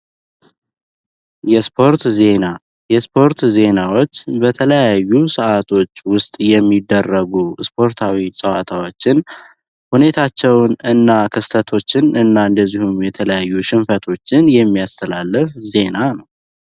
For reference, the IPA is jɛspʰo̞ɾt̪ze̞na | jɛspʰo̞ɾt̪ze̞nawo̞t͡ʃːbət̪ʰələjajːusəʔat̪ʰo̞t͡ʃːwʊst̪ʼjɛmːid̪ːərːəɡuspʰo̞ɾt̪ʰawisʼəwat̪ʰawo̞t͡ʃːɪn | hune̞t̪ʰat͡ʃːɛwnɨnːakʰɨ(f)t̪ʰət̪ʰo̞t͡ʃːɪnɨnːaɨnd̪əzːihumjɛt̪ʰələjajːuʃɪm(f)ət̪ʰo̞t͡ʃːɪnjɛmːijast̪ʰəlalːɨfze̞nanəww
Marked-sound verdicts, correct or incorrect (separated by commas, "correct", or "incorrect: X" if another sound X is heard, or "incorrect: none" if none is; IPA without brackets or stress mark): incorrect: s, correct